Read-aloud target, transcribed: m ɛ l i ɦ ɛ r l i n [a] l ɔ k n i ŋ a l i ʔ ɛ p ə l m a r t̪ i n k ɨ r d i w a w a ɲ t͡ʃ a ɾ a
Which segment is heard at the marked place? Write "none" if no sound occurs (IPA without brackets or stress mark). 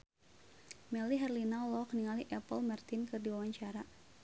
a